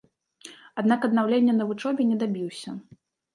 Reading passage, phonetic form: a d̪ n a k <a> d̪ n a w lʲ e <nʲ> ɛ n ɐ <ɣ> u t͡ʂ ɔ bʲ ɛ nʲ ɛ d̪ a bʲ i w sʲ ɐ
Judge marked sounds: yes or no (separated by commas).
no, no, no